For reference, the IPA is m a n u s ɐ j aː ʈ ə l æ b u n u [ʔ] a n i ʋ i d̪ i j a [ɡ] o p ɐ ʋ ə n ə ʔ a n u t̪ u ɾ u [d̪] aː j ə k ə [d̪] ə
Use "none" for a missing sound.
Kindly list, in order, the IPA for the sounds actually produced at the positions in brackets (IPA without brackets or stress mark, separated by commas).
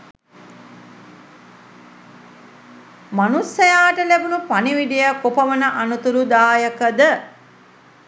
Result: p, k, d̪, d̪